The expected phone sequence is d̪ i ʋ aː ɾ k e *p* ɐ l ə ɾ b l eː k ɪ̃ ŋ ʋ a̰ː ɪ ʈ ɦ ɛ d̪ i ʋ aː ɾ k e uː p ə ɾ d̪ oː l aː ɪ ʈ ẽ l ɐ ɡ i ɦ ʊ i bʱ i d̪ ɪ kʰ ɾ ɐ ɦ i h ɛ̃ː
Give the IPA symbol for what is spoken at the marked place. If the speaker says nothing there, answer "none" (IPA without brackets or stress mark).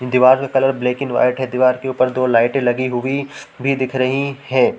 k